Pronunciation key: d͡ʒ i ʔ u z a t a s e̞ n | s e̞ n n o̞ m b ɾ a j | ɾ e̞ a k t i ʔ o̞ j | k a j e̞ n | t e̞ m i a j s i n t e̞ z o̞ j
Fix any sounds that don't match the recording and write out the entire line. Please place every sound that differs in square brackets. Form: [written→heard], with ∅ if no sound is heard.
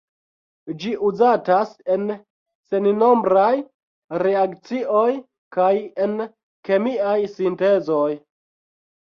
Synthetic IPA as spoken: d͡ʒ i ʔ u z a t a s e̞ n | s e̞ n n o̞ m b ɾ a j | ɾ e̞ a k [t→t͡s] i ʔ o̞ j | k a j e̞ n | [t→k] e̞ m i a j s i n t e̞ z o̞ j